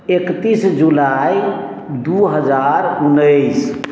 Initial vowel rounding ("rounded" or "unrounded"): unrounded